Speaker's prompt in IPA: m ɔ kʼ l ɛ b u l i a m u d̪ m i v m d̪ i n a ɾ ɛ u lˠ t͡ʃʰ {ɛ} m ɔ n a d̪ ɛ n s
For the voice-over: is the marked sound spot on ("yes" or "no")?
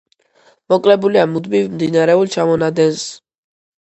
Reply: no